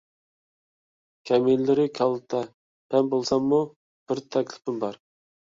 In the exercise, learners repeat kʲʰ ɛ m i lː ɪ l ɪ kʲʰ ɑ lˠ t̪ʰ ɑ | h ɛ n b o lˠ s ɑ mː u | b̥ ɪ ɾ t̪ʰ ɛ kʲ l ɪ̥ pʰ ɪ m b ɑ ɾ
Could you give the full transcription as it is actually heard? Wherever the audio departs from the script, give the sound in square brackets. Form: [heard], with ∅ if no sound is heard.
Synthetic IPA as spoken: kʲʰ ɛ m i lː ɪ [ɾ] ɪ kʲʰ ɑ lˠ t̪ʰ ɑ | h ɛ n b o lˠ s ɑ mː u | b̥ ɪ ɾ t̪ʰ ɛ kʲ l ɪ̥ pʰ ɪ m b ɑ ɾ